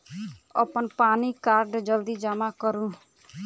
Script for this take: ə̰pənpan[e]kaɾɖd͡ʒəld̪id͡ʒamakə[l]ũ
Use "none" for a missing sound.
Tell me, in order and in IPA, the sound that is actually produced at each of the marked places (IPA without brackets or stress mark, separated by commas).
i, ɾ